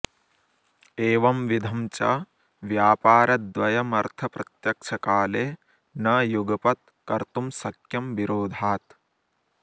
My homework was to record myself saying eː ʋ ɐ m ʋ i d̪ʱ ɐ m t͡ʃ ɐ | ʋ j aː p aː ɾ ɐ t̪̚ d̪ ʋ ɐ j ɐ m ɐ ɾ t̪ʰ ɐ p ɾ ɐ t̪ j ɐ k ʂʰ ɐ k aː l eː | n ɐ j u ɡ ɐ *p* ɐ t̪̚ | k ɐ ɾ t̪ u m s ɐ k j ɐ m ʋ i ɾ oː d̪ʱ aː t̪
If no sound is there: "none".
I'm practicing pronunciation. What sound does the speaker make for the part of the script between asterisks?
p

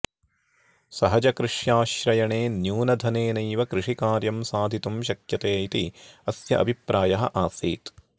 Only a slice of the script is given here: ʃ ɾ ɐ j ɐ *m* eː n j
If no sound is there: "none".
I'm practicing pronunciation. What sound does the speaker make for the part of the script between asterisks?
ɳ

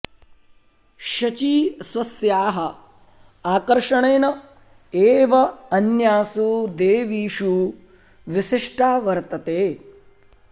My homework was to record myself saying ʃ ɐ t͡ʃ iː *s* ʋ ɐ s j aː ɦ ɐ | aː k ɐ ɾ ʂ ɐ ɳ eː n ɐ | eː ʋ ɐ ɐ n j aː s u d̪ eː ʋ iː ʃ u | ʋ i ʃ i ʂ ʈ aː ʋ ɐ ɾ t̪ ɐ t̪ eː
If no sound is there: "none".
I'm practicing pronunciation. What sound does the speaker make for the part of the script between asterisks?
s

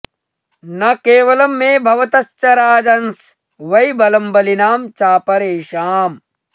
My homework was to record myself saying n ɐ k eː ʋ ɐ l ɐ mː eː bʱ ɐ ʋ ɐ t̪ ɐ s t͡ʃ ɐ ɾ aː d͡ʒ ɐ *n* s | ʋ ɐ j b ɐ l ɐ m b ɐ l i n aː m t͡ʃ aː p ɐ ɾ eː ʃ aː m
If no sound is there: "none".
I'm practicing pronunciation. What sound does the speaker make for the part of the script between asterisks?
n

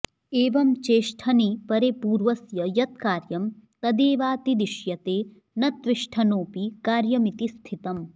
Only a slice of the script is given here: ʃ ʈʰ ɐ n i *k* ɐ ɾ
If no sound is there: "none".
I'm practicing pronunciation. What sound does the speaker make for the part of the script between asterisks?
p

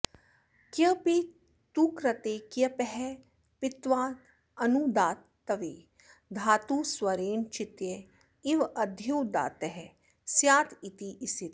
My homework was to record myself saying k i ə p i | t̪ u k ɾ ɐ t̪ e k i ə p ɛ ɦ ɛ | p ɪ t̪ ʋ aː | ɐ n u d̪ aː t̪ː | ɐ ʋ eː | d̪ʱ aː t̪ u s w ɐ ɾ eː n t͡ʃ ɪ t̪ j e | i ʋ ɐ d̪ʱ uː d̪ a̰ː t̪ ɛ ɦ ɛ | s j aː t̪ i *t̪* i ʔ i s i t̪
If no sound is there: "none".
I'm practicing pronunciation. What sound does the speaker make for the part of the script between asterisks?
t̪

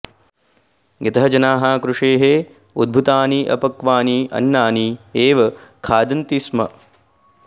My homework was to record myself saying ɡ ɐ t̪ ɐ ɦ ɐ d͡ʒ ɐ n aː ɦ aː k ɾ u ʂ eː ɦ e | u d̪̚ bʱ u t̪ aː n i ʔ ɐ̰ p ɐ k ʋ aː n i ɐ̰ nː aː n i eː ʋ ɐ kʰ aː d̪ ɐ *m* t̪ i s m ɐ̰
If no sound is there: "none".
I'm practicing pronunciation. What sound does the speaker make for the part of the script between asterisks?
n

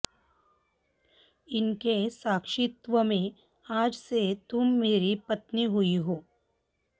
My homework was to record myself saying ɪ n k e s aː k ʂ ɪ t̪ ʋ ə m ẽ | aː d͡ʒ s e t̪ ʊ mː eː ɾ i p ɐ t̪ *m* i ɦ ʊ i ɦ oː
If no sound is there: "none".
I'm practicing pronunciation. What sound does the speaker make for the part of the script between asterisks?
n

